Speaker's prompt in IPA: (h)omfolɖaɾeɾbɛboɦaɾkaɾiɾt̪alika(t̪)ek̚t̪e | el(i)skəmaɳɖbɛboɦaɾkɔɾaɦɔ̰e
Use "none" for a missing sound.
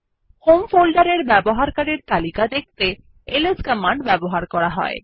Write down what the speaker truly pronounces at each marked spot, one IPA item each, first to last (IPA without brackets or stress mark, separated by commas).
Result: h, d̪, e